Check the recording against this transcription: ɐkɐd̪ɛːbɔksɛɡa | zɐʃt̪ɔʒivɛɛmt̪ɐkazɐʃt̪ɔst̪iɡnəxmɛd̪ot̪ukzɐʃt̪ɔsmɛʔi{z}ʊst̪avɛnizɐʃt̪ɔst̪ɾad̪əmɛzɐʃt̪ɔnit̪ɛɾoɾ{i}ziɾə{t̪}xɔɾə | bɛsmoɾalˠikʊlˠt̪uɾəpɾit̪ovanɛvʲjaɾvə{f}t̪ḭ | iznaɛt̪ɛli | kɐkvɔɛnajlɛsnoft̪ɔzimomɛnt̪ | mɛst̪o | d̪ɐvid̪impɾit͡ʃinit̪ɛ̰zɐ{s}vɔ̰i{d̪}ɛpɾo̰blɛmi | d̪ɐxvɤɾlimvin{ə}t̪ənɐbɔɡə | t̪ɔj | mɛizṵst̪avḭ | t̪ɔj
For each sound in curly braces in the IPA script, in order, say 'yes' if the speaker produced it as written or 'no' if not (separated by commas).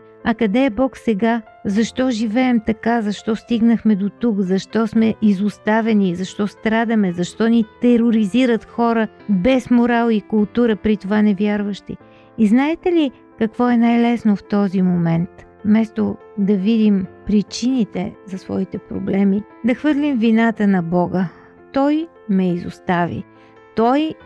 yes, yes, yes, no, yes, no, no